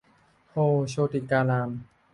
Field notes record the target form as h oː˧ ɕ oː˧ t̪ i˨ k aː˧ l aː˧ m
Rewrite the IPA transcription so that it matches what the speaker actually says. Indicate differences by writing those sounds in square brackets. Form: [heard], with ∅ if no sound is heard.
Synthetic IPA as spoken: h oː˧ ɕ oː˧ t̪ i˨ k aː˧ l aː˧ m